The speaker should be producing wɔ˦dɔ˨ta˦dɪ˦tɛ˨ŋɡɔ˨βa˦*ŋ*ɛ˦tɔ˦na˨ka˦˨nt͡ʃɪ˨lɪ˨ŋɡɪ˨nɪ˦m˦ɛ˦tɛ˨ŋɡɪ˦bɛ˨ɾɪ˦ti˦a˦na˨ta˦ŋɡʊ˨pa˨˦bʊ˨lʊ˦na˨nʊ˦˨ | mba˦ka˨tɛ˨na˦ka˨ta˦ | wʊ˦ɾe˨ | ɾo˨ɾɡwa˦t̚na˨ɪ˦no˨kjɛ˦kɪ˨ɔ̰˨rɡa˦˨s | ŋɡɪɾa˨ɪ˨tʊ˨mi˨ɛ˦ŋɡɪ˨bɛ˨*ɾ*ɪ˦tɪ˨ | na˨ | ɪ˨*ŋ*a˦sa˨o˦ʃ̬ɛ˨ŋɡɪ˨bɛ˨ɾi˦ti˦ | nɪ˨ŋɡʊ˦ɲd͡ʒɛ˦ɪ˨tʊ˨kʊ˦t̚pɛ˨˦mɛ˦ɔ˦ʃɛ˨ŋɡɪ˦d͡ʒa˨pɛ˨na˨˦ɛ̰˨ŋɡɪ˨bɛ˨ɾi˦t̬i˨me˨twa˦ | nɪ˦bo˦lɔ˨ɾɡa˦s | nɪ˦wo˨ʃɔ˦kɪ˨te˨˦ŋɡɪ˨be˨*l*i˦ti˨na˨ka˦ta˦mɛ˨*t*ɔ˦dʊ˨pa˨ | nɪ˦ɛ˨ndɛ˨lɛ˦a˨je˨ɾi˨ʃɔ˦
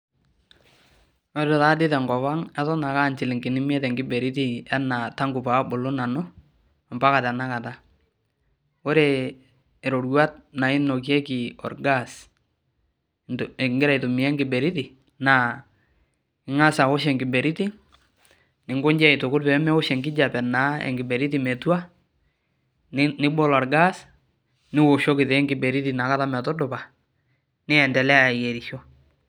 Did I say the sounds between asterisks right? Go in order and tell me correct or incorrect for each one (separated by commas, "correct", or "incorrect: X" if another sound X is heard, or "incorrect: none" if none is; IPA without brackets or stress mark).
correct, correct, correct, incorrect: ɾ, correct